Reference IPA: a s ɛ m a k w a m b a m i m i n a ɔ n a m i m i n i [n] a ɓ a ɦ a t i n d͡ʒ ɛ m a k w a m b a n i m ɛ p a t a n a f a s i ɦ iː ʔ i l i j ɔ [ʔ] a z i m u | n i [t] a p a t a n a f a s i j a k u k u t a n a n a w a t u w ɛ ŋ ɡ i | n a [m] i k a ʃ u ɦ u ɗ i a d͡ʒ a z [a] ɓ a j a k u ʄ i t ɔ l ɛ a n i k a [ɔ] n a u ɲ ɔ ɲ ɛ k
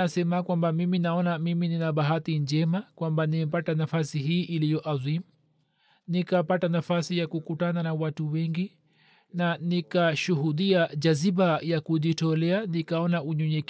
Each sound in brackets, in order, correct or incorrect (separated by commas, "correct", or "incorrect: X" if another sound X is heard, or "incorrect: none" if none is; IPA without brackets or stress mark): correct, correct, incorrect: k, incorrect: n, incorrect: i, correct